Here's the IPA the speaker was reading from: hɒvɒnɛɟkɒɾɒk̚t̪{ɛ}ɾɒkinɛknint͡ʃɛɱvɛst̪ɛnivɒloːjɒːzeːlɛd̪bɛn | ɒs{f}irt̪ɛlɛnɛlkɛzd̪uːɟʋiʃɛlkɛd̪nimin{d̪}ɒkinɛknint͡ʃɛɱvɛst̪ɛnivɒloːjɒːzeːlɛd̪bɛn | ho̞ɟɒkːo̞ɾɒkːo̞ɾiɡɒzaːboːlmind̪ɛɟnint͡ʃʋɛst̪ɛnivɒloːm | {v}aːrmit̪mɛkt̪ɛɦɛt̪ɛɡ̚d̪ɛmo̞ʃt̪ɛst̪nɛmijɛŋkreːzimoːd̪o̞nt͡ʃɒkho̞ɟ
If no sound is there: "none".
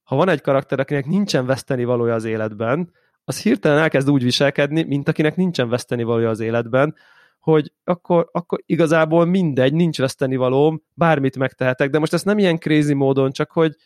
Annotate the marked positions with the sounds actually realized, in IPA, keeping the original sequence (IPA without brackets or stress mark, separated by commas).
ɛ, h, t̪, b